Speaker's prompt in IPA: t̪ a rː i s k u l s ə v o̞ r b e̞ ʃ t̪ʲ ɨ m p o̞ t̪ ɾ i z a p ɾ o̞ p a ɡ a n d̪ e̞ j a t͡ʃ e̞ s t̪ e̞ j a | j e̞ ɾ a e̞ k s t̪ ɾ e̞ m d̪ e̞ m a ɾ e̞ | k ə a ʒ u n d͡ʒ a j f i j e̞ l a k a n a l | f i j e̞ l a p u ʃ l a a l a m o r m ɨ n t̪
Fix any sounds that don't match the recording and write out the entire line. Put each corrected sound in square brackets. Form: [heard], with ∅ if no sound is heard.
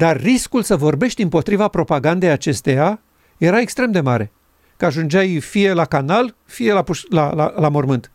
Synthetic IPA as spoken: [d̪] a rː i s k u l s ə v o̞ r b e̞ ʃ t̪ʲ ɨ m p o̞ t̪ ɾ i [v] a p ɾ o̞ p a ɡ a n d̪ e̞ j a t͡ʃ e̞ s t̪ e̞ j a | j e̞ ɾ a e̞ k s t̪ ɾ e̞ m d̪ e̞ m a ɾ e̞ | k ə a ʒ u n d͡ʒ a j f i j e̞ l a k a n a l | f i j e̞ l a p u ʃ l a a l a m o r m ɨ n t̪